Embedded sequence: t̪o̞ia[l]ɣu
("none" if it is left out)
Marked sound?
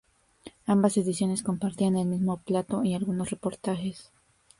l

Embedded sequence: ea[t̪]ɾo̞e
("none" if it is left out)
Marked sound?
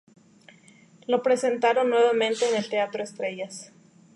t̪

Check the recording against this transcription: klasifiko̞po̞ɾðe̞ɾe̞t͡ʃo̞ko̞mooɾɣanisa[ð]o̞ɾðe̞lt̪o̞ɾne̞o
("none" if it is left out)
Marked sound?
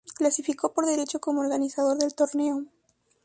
ð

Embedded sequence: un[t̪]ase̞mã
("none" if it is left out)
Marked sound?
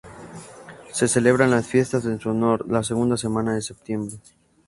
d̪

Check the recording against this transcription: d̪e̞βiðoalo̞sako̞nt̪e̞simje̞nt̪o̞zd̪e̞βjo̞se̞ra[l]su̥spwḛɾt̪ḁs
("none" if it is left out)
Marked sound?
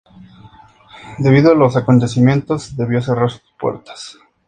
ɾ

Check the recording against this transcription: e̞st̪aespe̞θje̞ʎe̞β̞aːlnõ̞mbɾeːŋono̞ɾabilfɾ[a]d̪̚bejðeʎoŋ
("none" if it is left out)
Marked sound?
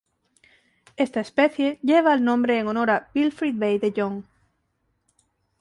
i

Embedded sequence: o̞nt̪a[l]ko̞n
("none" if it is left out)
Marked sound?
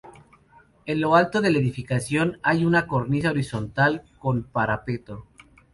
l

